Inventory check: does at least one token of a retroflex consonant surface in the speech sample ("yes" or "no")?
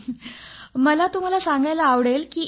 yes